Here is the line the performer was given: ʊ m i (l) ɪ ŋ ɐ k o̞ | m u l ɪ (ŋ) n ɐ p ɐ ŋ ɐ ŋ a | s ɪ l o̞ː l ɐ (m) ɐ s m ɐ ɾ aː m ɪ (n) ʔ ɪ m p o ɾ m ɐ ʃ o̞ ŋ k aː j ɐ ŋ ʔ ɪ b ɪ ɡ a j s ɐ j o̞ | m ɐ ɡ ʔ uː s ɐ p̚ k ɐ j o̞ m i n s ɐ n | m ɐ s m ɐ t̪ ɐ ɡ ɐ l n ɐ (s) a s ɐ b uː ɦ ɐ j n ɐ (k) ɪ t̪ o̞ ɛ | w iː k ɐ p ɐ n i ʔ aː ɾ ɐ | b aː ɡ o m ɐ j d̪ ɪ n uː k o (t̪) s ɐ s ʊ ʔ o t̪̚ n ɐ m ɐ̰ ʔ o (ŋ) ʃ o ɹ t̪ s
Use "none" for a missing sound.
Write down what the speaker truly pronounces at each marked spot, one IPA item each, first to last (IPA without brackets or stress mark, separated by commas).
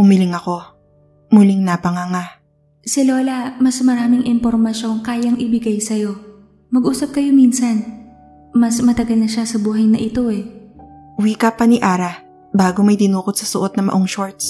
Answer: l, ŋ, m, ŋ, ʃ, ʔ, t̪, ŋ